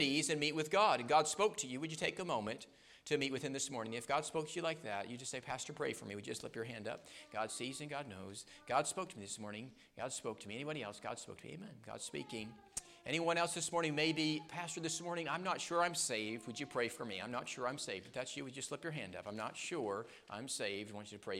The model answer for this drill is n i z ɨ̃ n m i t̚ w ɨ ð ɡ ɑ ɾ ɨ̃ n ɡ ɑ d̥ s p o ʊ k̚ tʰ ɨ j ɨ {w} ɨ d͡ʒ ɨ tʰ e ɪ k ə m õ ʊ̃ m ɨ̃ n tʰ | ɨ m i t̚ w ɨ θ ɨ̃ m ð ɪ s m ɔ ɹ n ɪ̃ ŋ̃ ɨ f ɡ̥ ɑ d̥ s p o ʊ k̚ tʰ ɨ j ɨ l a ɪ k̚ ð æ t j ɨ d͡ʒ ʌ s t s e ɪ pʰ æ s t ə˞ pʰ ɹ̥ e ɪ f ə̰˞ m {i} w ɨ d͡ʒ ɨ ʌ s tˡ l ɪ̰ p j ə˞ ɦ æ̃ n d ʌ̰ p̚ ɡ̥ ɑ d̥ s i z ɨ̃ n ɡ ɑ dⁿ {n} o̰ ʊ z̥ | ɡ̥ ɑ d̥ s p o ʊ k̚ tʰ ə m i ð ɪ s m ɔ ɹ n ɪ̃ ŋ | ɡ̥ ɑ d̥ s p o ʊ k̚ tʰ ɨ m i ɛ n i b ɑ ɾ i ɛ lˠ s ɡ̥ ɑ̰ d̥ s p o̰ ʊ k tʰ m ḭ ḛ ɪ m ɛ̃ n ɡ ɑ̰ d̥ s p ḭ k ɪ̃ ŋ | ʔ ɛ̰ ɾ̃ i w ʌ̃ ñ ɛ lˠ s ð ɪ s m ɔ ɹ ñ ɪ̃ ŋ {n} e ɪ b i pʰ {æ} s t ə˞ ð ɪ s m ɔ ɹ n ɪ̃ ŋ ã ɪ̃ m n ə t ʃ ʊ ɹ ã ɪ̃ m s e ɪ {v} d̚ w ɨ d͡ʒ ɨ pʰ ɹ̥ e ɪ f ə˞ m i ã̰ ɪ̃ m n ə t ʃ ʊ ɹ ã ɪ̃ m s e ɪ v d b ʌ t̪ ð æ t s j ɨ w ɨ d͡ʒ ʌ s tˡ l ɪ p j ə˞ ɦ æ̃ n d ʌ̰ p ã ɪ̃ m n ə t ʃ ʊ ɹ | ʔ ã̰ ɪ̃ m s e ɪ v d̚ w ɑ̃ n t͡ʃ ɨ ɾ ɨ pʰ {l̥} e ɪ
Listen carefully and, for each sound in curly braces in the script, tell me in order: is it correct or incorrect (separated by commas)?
correct, correct, correct, incorrect, correct, correct, incorrect